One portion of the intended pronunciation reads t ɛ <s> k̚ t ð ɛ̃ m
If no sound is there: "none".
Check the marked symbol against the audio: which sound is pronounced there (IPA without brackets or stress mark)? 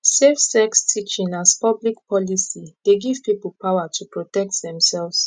none